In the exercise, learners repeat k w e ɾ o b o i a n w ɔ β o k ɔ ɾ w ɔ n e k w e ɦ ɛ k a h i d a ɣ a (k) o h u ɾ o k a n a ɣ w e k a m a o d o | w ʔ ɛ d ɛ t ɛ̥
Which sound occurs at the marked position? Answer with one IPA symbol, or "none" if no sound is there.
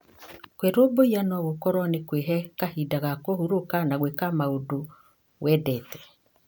k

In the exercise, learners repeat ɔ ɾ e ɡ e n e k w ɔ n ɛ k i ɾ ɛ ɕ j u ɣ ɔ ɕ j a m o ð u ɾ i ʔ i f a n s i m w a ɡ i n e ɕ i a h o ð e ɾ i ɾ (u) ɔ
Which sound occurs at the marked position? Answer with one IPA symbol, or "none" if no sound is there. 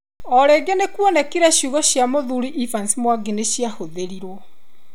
w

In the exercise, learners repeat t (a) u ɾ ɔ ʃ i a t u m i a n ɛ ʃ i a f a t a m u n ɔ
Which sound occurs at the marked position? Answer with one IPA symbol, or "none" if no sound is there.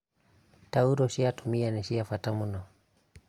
a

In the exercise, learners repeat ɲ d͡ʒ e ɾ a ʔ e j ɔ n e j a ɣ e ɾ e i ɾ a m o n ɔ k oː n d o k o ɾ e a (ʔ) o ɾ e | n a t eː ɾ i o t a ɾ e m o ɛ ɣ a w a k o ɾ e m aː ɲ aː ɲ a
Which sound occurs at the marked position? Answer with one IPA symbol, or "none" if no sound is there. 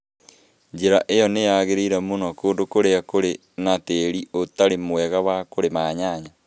k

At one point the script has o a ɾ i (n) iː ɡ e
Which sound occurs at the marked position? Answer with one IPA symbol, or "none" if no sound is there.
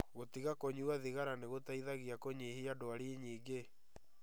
ɲ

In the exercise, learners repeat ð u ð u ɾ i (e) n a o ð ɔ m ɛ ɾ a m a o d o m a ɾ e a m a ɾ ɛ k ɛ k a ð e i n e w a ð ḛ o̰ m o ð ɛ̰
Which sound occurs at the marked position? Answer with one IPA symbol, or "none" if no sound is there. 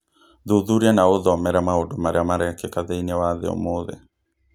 a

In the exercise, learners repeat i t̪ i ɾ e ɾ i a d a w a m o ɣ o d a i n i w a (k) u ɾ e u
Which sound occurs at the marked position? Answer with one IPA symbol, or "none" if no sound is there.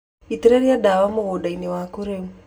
k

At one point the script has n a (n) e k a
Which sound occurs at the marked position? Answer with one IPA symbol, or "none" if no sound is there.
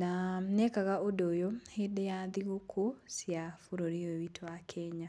n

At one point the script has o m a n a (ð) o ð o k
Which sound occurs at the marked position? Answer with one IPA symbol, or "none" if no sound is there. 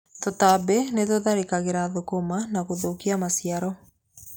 ɣ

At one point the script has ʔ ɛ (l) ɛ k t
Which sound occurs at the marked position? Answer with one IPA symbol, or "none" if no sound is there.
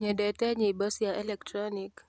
l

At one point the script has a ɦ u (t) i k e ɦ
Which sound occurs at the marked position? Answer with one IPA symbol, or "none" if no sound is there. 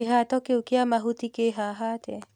t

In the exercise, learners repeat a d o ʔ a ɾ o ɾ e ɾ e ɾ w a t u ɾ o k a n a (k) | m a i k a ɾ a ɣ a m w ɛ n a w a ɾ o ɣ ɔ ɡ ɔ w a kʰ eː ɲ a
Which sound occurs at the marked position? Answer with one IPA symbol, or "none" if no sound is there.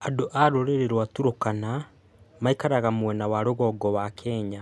none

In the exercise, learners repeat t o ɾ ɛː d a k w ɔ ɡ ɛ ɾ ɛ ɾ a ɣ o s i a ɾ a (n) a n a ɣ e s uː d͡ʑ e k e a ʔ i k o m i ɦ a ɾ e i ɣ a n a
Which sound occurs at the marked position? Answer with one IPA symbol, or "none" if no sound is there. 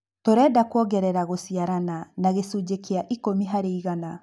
n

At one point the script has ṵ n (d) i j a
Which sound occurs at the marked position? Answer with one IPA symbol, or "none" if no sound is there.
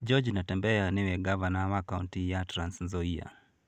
t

